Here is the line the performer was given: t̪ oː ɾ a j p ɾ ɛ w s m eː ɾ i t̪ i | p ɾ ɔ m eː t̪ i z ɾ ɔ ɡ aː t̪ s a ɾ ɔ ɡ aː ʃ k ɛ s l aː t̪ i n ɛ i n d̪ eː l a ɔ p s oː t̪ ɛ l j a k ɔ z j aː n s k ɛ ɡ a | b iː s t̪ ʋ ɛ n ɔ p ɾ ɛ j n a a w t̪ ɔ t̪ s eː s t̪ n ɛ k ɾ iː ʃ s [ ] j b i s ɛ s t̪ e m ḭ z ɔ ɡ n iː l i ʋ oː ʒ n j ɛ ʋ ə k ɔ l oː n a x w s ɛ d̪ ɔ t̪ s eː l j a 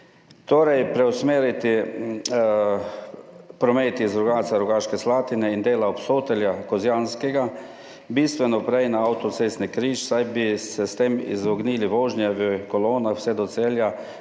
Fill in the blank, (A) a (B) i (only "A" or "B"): A